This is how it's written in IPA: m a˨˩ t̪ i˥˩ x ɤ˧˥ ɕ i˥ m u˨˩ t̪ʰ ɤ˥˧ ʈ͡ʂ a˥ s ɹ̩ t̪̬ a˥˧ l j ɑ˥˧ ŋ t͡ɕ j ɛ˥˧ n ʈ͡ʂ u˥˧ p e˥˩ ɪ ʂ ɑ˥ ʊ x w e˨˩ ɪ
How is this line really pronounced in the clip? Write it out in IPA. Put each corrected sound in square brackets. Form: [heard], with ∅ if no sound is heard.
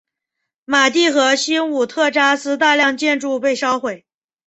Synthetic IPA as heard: m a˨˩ t̪ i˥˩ x ɤ˧˥ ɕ i˥ [n] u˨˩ t̪ʰ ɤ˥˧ ʈ͡ʂ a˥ s ɹ̩ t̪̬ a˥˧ l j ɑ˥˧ ŋ t͡ɕ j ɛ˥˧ n ʈ͡ʂ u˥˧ p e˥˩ ɪ ʂ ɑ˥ ʊ x w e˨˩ ɪ

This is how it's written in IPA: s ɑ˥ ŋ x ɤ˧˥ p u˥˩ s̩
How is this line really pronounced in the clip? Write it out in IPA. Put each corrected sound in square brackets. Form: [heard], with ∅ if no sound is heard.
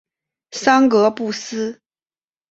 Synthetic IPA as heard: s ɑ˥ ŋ [k] ɤ˧˥ p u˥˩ s̩

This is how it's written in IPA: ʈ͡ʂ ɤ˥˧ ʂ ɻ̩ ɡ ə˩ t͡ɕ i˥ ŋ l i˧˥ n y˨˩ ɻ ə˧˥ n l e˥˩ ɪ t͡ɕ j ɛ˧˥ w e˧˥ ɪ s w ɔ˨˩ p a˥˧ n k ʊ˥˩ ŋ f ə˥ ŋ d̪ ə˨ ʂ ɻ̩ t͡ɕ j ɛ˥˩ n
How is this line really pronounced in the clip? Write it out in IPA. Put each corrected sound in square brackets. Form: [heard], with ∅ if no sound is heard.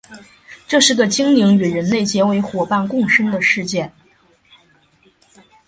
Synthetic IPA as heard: ʈ͡ʂ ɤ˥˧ ʂ ɻ̩ ɡ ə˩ t͡ɕ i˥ ŋ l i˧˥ [ŋ] y˨˩ ɻ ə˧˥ n l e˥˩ ɪ t͡ɕ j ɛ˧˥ w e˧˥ ɪ [x] w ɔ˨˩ p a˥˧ n k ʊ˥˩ ŋ [ʂ] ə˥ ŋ d̪ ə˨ ʂ ɻ̩ t͡ɕ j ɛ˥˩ n

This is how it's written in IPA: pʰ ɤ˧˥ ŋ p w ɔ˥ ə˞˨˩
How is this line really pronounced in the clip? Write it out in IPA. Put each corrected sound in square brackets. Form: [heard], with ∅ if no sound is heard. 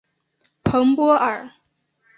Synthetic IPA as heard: pʰ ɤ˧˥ ŋ p w ɔ˥ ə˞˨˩

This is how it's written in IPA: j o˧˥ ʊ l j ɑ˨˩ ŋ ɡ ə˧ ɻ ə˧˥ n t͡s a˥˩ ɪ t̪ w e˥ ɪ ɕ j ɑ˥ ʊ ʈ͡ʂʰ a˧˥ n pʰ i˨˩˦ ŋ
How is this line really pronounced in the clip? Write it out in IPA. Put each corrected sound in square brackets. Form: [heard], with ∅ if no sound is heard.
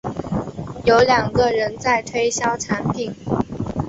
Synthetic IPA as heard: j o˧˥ ʊ l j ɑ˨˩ ŋ ɡ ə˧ ɻ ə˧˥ n t͡s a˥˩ ɪ [t̪ʰ] w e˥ ɪ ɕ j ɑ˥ ʊ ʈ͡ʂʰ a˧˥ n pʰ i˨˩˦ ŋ

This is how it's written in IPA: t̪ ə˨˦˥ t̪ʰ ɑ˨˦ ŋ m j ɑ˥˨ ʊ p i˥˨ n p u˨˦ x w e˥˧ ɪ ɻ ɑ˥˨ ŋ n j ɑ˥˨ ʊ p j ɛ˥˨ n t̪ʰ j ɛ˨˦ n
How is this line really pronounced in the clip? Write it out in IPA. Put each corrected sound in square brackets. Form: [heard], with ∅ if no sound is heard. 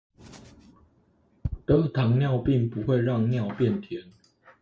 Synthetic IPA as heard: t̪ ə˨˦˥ t̪ʰ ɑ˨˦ ŋ [n] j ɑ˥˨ ʊ p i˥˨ [ŋ] p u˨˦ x w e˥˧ ɪ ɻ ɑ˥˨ ŋ n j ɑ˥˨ ʊ p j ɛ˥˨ n t̪ʰ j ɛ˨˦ n

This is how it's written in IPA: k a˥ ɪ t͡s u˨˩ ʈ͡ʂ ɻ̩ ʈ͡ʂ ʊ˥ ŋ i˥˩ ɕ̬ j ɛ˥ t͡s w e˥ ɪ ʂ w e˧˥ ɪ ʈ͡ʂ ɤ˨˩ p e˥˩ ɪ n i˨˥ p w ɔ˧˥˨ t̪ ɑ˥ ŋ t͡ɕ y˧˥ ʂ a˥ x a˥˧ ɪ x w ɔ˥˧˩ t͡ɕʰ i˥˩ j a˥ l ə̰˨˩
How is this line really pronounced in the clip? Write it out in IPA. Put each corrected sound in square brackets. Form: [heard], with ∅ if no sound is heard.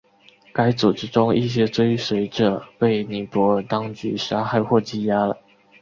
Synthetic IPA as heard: k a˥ ɪ t͡s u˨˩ ʈ͡ʂ ɻ̩ ʈ͡ʂ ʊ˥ ŋ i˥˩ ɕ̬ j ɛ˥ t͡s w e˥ ɪ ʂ w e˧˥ ɪ ʈ͡ʂ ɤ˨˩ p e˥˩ ɪ n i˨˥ p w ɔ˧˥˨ t̪ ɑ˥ ŋ t͡ɕ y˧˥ ʂ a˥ x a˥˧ ɪ x w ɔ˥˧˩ [t͡ɕ] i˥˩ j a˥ l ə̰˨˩

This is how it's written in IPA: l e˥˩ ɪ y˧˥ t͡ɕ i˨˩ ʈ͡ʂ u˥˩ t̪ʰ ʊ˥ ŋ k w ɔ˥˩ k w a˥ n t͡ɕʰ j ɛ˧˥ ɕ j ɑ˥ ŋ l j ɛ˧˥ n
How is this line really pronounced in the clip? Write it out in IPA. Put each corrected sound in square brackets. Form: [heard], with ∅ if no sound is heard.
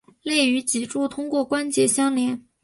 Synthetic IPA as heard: l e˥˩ ɪ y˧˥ t͡ɕ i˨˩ ʈ͡ʂ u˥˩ t̪ʰ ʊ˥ ŋ k w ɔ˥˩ k w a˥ n [t͡ɕ] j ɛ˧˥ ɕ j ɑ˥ ŋ l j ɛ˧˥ n

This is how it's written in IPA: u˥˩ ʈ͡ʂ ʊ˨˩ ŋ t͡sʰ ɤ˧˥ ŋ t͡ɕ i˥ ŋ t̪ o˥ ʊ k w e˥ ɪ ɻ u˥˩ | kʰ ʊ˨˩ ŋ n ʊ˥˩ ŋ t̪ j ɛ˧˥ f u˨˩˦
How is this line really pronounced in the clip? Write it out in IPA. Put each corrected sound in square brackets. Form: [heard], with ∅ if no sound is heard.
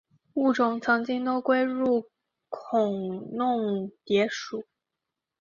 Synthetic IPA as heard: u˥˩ ʈ͡ʂ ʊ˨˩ ŋ t͡sʰ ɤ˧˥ ŋ t͡ɕ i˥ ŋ t̪ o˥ ʊ k w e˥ ɪ ɻ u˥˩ | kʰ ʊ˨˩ ŋ n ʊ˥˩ ŋ t̪ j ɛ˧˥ [ʂ] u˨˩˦

